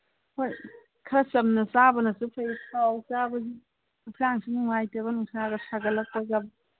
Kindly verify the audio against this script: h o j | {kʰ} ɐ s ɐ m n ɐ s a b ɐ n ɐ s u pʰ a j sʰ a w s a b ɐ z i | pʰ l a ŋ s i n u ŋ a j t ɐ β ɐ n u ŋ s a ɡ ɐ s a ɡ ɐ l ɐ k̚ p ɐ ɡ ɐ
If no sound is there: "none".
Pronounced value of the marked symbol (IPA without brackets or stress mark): kʰ